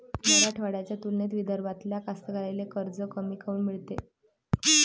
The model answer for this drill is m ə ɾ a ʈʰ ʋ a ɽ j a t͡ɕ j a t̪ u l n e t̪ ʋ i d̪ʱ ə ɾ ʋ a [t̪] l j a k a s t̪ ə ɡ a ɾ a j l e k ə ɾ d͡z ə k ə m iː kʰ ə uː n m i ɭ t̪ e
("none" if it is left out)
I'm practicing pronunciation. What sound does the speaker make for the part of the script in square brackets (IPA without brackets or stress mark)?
t̪